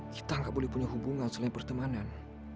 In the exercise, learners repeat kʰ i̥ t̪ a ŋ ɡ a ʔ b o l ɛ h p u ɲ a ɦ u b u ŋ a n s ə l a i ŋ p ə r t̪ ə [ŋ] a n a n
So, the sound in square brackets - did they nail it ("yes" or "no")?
no